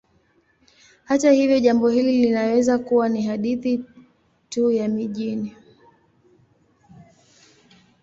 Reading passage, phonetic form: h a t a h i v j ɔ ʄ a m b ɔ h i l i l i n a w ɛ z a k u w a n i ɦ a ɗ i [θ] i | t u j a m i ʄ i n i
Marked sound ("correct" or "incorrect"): correct